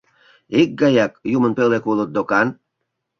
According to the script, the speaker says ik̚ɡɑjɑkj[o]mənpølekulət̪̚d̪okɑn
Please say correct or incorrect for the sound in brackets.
incorrect